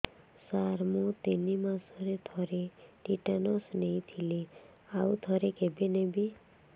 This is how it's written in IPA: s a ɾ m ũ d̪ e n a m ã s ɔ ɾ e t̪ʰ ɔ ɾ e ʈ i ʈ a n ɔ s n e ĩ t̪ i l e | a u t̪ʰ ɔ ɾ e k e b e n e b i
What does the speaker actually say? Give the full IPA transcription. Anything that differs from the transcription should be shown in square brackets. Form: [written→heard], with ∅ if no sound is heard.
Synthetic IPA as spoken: s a ɾ m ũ [d̪→t̪] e n [a→i] m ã s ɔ ɾ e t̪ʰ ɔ ɾ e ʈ i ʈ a n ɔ s n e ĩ [t̪→t̪ʰ] i l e | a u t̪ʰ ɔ ɾ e k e b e n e b i